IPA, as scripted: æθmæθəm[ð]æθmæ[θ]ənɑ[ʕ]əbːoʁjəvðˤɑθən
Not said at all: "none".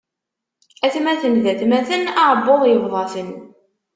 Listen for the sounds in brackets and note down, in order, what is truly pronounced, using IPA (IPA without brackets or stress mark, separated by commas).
ð, θ, ʕ